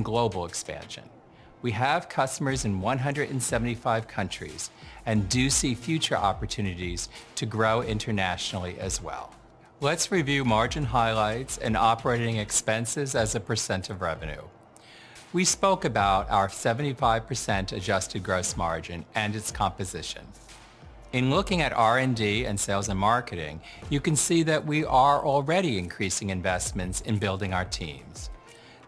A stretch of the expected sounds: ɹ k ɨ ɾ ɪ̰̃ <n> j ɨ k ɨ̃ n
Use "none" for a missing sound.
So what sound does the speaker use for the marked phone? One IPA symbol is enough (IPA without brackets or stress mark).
ŋ